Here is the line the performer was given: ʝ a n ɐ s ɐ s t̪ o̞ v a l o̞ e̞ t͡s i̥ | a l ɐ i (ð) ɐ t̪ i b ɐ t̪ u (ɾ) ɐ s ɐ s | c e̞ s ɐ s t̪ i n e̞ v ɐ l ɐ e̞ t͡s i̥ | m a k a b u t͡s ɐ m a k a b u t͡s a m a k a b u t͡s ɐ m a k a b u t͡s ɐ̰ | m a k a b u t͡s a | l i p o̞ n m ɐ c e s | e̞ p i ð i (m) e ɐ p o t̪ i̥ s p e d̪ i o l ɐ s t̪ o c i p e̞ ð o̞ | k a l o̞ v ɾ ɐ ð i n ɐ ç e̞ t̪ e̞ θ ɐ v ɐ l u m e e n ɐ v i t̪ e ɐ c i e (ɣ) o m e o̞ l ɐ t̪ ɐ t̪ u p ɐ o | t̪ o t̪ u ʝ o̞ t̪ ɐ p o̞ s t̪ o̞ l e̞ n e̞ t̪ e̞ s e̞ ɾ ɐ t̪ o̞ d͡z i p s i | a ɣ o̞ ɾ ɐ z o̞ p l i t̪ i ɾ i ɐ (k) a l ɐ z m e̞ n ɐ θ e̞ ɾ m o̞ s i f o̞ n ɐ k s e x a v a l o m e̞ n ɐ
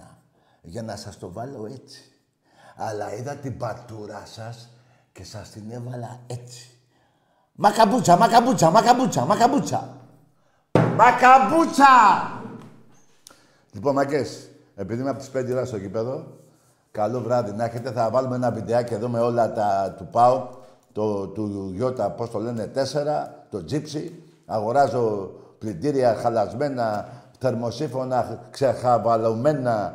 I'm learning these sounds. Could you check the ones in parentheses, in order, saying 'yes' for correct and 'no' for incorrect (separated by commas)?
yes, yes, yes, no, no